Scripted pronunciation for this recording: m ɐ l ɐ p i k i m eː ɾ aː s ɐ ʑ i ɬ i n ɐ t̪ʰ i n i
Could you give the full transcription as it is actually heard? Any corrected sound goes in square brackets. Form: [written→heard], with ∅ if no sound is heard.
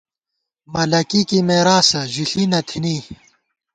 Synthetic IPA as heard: m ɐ l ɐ [p→k] i k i m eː ɾ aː s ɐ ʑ i ɬ i n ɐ t̪ʰ i n i